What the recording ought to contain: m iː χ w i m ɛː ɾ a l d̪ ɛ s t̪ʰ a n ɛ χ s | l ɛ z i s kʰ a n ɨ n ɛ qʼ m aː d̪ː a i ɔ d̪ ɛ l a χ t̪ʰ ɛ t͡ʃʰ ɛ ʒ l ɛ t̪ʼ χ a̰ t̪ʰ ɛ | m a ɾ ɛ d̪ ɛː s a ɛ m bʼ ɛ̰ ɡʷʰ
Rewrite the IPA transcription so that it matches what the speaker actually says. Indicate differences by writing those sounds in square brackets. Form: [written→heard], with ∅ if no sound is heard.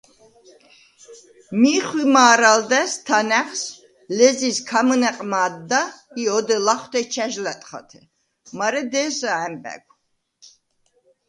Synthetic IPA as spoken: m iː χ w i m [ɛː→aː] ɾ a l d̪ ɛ s t̪ʰ a n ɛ χ s | l ɛ z i s kʰ a [n→m] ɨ n ɛ qʼ m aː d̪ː a i ɔ d̪ ɛ l a χ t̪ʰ ɛ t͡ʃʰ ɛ ʒ l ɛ t̪ʼ χ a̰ t̪ʰ ɛ | m a ɾ ɛ d̪ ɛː s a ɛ m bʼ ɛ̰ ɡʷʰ